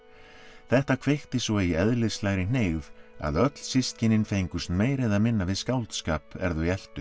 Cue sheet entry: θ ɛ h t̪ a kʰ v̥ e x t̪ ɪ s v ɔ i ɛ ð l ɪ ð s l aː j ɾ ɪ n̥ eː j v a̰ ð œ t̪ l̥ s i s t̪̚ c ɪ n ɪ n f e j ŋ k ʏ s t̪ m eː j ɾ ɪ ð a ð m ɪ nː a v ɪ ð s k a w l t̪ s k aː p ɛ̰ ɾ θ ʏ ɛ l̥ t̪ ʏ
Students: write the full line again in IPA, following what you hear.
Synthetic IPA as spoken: θ ɛ h t̪ a kʰ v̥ e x t̪ ɪ s v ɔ i ɛ ð l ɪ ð s l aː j ɾ ɪ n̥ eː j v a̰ ð œ t̪ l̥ s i s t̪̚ c ɪ n ɪ n f e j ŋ k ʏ s t̪ m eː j ɾ ɪ ð a ð m ɪ nː a v ɪ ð s k a w l t̪ s k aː p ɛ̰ ɾ ð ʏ ɛ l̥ t̪ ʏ